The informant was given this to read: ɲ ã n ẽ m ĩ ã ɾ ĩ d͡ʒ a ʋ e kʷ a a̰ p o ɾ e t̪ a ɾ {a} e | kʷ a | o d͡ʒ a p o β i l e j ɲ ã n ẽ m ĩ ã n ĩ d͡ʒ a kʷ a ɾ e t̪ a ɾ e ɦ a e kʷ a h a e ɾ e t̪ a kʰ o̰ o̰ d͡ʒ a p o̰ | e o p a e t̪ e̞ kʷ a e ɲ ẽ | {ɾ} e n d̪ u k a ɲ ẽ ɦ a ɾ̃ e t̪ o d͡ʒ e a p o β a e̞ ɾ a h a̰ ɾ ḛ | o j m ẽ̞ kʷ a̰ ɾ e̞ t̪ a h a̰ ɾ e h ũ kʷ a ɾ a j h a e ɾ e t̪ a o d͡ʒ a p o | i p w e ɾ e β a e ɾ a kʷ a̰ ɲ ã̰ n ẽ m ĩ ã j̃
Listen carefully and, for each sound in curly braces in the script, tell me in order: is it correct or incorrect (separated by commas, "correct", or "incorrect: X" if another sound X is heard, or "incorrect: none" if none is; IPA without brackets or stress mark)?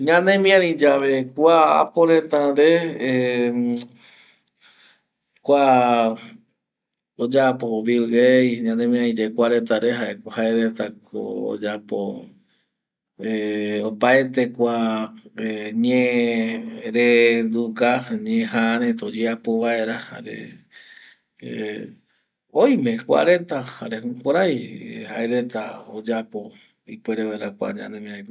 incorrect: e, correct